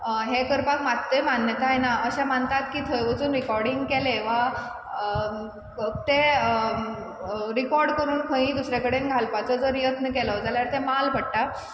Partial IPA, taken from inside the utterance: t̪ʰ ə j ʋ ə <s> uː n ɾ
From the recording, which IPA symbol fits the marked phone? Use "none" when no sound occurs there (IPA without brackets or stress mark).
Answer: t͡s